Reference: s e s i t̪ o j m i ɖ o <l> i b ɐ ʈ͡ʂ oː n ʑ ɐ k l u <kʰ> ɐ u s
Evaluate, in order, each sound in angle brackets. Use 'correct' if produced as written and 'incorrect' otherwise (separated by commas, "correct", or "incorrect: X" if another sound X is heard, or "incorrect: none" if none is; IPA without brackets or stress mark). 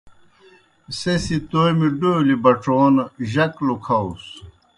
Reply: correct, correct